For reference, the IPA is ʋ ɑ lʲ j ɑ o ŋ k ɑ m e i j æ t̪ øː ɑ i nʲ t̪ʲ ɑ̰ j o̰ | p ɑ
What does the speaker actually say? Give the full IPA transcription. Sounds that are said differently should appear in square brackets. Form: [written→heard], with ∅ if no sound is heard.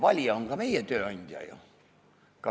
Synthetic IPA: ʋ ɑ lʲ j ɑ o ŋ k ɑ m e i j æ t̪ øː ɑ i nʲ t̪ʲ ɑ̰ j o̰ | [p→k] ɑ